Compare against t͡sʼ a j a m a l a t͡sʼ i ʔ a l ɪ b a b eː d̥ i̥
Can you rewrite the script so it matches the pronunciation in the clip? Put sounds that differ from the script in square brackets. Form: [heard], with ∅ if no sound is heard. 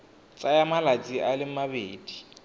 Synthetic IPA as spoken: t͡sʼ a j a m a l a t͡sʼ i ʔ a l ɪ [m] a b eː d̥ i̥